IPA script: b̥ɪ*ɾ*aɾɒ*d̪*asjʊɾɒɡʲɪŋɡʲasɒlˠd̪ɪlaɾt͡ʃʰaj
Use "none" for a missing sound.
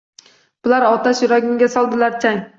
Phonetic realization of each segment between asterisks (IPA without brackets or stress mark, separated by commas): l, t̪